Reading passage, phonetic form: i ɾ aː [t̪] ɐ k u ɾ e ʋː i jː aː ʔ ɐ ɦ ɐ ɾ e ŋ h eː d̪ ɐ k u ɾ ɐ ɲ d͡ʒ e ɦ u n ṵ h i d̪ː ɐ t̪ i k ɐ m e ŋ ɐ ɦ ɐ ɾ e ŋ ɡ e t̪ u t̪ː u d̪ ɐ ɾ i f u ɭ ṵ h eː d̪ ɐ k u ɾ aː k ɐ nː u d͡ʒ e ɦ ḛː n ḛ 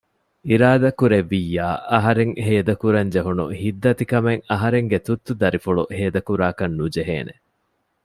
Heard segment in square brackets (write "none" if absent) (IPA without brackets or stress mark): d̪